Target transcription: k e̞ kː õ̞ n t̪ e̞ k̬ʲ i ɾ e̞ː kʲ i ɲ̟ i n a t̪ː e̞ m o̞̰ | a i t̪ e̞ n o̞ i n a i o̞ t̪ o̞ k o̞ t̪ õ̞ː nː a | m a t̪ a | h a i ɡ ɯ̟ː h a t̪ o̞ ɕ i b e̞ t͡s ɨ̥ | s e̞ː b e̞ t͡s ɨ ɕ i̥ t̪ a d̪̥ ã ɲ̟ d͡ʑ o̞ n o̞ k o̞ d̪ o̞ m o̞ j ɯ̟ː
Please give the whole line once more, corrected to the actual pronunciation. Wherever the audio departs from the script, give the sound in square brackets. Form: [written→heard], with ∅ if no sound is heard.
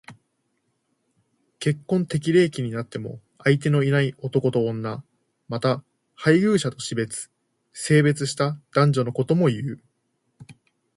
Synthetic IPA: k e̞ kː õ̞ n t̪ e̞ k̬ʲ i ɾ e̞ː kʲ i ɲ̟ i n a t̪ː e̞ m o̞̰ | a i t̪ e̞ n o̞ i n a i o̞ t̪ o̞ k o̞ t̪ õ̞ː nː a | m a t̪ a | h a i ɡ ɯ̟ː [h→ɕ] a t̪ o̞ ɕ i b e̞ t͡s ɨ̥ | s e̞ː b e̞ t͡s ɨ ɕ i̥ t̪ a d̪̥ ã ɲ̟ d͡ʑ o̞ n o̞ k o̞ [d̪→t̪] o̞ m o̞ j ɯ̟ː